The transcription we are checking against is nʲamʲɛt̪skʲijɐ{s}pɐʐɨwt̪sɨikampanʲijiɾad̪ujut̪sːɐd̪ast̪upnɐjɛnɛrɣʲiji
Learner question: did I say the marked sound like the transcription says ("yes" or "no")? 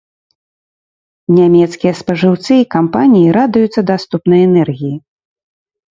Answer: yes